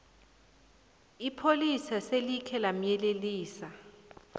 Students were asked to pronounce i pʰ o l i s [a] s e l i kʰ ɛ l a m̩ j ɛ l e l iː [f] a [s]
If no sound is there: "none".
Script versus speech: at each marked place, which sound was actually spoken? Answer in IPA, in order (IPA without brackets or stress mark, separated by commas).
a, s, none